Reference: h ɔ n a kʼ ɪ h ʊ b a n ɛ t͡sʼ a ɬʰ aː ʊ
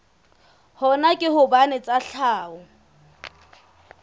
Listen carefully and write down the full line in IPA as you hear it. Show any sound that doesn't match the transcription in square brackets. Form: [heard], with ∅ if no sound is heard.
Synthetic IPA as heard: h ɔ n a kʼ ɪ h ʊ b a n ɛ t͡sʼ a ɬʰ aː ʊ